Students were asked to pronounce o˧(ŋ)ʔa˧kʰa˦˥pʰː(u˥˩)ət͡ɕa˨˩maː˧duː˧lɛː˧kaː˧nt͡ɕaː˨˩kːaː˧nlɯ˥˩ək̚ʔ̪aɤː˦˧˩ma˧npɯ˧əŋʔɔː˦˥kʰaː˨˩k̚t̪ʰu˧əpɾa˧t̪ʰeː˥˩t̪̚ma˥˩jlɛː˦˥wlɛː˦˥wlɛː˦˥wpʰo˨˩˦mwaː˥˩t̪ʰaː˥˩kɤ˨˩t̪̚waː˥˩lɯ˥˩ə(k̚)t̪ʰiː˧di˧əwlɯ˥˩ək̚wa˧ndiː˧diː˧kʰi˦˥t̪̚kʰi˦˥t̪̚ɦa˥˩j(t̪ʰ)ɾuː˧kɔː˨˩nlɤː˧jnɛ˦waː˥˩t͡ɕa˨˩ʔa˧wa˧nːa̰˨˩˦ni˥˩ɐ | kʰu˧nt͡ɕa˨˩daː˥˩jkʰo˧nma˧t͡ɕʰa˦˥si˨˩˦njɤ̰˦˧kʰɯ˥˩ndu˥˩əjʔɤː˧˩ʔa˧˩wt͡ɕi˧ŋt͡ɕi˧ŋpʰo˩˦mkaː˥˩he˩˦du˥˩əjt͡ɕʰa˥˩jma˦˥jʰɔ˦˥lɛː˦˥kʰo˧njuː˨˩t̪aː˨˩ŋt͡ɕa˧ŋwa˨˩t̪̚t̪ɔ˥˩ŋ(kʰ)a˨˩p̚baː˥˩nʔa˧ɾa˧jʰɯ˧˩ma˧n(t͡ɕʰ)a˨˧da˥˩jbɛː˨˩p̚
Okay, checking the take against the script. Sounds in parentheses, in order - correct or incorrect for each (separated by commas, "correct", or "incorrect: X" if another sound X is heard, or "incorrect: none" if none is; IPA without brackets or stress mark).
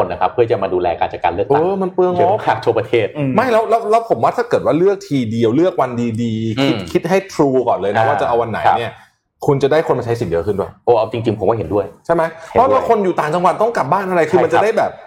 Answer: incorrect: n, incorrect: ɯ˥˩, correct, correct, incorrect: k, incorrect: t͡ɕ